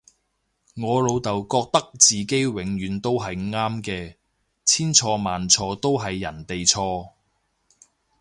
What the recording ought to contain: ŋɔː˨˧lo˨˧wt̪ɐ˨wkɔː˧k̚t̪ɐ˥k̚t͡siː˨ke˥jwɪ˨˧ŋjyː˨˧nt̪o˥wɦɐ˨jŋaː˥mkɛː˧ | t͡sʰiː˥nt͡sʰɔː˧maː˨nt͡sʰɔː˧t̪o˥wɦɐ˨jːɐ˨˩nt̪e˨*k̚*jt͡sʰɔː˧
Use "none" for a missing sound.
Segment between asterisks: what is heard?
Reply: none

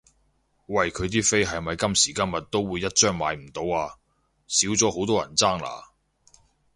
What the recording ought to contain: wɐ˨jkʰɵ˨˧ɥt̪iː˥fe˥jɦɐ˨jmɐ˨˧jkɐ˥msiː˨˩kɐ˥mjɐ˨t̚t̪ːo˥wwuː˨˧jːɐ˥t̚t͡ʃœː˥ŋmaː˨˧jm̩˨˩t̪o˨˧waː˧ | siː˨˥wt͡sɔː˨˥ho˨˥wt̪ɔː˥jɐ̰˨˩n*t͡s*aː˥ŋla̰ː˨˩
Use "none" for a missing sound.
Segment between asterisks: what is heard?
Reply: t͡s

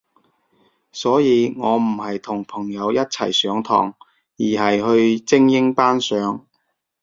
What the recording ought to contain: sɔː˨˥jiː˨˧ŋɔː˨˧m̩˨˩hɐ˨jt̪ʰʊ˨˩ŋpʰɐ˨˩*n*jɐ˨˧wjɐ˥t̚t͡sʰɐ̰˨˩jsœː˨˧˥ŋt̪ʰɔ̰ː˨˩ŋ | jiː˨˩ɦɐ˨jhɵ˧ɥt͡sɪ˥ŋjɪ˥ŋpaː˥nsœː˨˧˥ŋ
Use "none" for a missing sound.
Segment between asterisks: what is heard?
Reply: ŋ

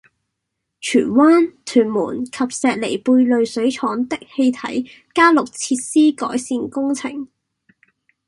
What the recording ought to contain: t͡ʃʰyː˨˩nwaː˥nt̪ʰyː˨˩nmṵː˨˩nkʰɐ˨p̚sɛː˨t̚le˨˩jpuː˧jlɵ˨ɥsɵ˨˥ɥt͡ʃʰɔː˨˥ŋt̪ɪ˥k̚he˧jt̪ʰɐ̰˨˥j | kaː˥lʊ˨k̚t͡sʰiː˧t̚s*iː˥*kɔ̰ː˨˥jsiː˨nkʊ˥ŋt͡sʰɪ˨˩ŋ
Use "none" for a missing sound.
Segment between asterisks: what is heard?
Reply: iː˥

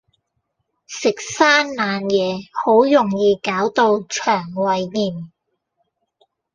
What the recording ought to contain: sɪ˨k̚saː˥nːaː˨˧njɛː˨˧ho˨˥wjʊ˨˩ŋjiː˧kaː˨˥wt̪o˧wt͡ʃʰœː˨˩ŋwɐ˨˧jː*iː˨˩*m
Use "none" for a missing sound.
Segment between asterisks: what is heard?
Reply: iː˨˩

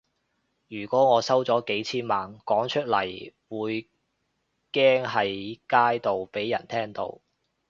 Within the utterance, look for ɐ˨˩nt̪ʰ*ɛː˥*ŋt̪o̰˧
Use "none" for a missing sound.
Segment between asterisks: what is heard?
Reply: ɛː˥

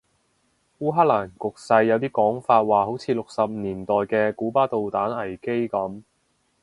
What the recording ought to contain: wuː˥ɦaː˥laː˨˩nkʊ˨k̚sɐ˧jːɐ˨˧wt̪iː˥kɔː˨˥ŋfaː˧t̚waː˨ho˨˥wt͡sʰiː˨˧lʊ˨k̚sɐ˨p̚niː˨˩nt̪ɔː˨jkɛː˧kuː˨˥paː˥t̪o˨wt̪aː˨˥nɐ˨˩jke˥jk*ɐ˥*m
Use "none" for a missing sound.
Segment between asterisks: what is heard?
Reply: ɐ˨˥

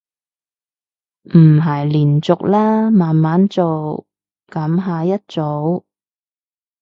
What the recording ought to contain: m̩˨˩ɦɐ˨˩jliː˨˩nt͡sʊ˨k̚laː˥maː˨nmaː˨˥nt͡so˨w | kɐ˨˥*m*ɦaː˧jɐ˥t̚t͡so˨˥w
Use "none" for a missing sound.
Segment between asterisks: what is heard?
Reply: m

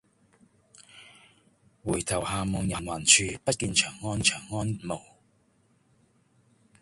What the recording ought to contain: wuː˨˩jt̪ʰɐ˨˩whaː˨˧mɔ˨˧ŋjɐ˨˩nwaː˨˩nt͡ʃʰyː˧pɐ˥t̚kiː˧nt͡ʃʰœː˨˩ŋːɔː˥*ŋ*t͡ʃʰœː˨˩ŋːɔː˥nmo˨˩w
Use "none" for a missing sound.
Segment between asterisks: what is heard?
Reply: n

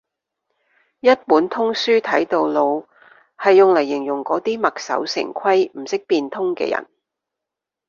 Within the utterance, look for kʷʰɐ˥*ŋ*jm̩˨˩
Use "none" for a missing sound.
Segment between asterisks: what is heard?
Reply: none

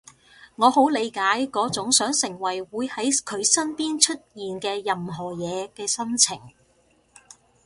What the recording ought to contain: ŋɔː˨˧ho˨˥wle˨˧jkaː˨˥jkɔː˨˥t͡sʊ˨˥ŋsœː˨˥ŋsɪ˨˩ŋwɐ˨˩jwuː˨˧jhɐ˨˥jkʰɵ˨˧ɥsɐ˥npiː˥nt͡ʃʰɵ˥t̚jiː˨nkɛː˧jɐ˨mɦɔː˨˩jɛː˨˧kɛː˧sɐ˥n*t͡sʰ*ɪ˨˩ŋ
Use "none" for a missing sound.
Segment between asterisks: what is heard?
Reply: t͡sʰ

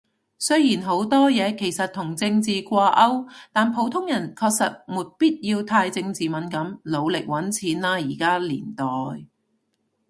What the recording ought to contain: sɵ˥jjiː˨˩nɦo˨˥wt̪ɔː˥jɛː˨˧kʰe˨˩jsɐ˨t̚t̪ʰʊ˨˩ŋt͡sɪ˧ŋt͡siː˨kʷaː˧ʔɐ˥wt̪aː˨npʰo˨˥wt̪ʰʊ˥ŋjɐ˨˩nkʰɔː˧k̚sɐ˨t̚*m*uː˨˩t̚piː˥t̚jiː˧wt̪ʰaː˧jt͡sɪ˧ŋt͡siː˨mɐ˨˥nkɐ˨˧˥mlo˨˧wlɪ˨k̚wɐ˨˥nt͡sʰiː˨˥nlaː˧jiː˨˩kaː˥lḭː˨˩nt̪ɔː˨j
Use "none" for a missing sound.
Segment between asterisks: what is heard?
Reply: m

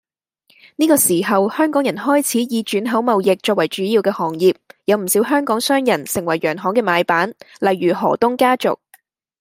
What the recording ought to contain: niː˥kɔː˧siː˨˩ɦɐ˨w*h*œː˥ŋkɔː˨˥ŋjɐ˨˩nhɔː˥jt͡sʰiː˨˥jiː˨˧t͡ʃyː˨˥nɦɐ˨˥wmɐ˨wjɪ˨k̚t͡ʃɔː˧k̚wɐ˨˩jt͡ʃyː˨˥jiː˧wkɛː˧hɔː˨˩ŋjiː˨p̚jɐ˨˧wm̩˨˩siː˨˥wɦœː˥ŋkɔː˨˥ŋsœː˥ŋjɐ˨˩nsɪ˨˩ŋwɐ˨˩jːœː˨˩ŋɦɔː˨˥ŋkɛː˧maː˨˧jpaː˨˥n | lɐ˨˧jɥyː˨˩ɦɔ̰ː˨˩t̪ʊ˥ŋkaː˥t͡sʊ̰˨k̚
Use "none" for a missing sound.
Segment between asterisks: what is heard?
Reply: h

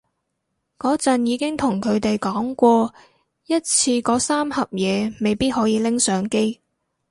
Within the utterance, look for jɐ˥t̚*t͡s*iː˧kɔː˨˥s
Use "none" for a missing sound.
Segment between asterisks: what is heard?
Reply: t͡sʰ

